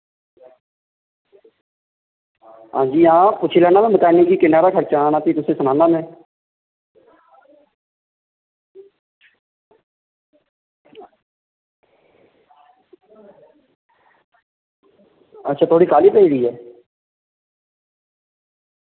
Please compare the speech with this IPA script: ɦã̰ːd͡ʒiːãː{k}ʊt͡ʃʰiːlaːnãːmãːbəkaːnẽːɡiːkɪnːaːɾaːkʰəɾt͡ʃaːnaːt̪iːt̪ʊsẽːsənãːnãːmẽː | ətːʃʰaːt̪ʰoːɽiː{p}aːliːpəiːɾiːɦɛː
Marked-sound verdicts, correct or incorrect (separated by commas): incorrect, incorrect